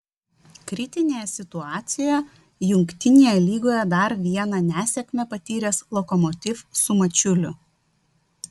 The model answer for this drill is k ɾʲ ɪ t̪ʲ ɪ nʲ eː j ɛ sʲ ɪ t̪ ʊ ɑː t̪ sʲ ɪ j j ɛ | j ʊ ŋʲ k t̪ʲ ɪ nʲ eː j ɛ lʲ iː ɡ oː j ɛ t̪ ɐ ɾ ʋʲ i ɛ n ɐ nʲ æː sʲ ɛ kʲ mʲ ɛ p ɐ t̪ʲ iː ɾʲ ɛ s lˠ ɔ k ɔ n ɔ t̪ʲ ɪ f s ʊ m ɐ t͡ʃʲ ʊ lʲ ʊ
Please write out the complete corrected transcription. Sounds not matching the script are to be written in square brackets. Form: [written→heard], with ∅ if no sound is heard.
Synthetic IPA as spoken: k ɾʲ ɪ t̪ʲ ɪ nʲ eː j ɛ sʲ ɪ t̪ ʊ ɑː t̪ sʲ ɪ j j ɛ | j ʊ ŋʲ k t̪ʲ ɪ nʲ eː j ɛ lʲ iː ɡ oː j ɛ [t̪→d̪] ɐ ɾ ʋʲ i ɛ n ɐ nʲ æː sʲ ɛ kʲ mʲ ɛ p ɐ t̪ʲ iː ɾʲ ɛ s lˠ ɔ k ɔ [n→m] ɔ t̪ʲ ɪ f s ʊ m ɐ t͡ʃʲ ʊ lʲ ʊ